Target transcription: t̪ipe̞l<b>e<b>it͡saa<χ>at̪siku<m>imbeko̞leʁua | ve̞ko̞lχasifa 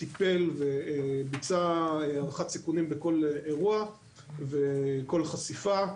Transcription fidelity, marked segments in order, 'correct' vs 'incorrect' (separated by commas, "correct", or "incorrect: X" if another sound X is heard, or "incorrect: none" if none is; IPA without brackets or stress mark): incorrect: v, correct, correct, incorrect: n